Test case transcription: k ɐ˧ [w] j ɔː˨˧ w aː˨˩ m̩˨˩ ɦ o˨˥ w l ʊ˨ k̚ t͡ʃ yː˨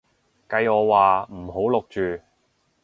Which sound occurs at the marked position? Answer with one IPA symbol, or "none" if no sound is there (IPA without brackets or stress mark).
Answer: none